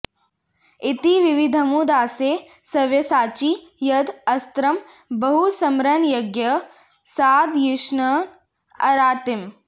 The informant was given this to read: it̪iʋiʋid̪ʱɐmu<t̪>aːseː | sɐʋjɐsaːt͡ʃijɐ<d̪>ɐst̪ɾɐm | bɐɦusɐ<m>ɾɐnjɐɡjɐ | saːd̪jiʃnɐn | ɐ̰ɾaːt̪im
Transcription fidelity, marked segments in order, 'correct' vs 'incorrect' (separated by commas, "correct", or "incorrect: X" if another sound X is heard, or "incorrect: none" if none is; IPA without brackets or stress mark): incorrect: d̪, correct, correct